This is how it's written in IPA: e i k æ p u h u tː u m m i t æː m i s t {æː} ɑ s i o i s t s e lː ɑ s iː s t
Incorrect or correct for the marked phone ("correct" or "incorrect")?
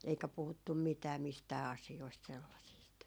correct